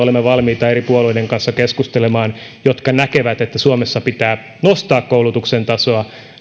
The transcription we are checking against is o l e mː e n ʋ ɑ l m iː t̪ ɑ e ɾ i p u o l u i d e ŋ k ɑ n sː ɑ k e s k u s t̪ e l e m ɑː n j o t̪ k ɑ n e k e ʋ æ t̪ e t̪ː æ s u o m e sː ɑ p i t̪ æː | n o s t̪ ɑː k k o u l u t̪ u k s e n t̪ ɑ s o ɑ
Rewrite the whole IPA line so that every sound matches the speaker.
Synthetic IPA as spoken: o l e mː e ʋ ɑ l m iː t̪ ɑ e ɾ i p u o l u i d e ŋ k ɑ n sː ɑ k e s k u s t̪ e l e m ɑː n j o t̪ k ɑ n æ k e ʋ æ t̪ e t̪ː æ s u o m e sː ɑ p i t̪ æː | n o s t̪ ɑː k k o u l u t̪ u k s e n t̪ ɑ s o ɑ